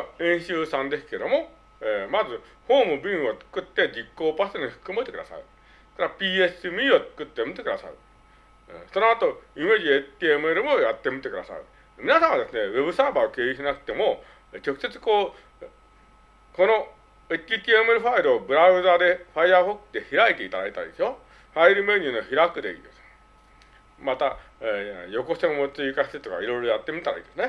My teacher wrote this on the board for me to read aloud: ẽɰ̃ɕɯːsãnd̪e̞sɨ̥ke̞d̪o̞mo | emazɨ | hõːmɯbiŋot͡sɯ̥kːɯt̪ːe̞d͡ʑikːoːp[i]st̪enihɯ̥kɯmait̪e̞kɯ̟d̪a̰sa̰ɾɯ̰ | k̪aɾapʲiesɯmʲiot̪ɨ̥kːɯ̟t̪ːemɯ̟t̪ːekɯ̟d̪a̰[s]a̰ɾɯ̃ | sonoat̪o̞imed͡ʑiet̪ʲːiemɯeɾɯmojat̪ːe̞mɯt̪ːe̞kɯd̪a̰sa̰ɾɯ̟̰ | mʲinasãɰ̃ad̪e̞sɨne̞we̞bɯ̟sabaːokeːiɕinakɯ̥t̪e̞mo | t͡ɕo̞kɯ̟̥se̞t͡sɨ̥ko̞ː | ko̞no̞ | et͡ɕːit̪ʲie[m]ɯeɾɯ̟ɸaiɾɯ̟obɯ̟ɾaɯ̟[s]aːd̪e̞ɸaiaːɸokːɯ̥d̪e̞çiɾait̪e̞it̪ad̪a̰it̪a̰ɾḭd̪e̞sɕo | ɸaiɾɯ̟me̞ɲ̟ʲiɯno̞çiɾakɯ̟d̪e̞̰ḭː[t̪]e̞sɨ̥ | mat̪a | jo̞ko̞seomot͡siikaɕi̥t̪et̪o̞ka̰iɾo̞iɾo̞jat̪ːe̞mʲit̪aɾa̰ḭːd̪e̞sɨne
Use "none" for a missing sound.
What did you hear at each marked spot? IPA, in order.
a, s, m, z, d̪

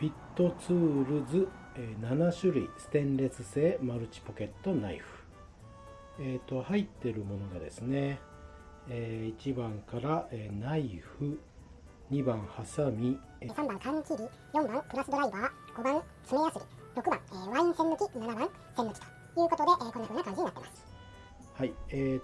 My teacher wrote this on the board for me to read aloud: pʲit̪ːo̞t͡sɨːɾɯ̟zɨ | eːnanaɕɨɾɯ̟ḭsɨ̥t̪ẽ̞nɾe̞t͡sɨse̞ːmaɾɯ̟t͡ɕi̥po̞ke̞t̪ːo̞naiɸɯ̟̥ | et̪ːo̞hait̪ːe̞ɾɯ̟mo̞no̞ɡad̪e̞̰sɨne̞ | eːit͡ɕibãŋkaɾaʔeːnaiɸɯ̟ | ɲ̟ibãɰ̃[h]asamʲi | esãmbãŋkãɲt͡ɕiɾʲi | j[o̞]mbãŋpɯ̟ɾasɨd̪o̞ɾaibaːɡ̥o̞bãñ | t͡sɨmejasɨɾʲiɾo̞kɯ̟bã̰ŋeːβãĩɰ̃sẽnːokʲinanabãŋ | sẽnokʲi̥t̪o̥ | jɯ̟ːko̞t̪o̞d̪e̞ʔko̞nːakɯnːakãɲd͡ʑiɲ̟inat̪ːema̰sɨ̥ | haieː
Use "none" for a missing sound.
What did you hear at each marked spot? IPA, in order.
h, õ̞

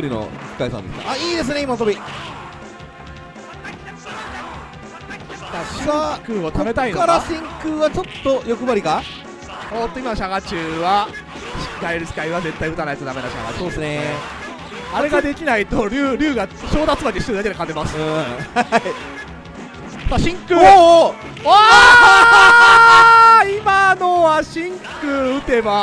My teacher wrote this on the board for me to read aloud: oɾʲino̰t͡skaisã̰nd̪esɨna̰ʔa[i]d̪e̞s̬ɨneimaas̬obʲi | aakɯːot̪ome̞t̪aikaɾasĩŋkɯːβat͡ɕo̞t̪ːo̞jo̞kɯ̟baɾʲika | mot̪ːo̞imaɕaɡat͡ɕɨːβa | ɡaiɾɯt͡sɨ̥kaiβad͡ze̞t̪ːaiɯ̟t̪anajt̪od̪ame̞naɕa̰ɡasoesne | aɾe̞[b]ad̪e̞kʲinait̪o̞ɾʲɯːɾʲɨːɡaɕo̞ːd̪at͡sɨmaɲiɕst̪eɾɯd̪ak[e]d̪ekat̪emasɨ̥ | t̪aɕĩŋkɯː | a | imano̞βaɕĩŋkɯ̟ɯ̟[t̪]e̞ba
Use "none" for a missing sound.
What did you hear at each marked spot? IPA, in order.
iː, ɡ, e, t̪

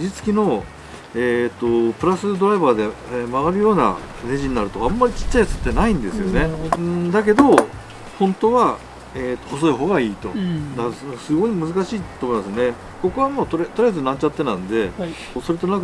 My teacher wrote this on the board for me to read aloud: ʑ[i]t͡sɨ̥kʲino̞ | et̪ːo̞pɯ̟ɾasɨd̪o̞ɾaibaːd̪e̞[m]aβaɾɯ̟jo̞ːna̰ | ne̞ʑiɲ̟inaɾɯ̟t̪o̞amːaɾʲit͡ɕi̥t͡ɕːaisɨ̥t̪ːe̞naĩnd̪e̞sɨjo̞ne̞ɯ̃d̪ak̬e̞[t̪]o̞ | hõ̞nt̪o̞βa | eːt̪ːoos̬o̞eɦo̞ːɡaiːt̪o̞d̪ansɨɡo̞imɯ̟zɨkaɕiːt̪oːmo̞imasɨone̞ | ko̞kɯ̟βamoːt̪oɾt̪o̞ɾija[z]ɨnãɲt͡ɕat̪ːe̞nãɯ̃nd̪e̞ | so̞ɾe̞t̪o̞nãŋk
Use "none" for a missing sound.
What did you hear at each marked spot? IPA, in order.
i, m, d̪, z

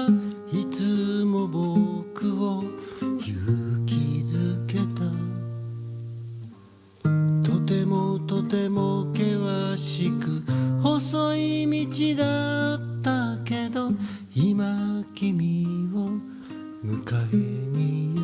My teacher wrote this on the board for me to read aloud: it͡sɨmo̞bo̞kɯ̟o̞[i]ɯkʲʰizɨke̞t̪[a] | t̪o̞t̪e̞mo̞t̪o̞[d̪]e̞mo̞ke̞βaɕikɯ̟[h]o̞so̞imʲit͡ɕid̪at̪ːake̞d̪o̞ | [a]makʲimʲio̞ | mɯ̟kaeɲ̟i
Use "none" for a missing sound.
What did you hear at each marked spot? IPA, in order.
j, a, t̪, h, i

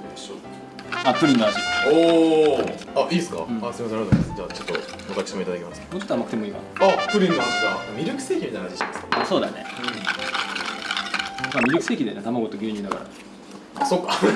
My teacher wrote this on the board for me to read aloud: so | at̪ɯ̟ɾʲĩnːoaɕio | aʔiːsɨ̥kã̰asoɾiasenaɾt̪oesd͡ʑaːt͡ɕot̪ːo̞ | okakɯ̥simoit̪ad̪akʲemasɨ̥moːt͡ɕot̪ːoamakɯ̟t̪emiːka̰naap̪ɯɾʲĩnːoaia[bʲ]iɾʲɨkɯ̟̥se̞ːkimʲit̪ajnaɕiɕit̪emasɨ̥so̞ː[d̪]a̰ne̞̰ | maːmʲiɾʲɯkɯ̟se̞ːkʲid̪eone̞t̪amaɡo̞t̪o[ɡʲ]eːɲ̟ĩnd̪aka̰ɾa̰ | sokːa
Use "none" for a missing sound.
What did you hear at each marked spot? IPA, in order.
mʲ, d̪, ɡʲ

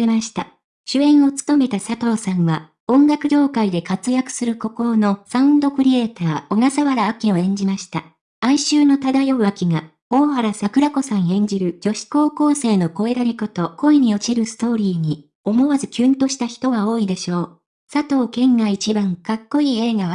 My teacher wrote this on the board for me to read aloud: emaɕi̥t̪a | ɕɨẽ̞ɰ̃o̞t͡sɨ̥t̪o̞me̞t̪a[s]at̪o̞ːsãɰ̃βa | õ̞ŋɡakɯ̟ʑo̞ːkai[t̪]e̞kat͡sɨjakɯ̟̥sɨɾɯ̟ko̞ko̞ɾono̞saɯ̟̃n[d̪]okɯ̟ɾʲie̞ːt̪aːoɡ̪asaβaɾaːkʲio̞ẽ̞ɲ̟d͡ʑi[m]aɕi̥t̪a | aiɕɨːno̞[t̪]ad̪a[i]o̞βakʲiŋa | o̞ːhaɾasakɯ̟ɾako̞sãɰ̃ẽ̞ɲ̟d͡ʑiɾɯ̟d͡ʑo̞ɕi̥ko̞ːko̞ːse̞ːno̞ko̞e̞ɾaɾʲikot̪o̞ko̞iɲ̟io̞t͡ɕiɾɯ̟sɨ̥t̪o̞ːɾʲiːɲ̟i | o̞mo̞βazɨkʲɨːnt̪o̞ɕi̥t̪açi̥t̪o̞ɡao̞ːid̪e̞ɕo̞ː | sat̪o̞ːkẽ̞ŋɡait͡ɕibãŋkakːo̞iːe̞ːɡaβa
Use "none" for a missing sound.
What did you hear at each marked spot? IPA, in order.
s, d̪, d̪, m, t̪, j

